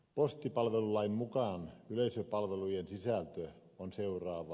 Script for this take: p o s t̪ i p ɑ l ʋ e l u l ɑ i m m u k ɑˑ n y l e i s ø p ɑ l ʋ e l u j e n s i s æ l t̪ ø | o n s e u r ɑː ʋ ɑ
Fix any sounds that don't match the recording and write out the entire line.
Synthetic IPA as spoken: p o s t̪ i p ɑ l ʋ e l u l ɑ i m m u k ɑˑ n y l e i s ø p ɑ l ʋ e l u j e n s i s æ l t̪ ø | o n s e u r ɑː ʋ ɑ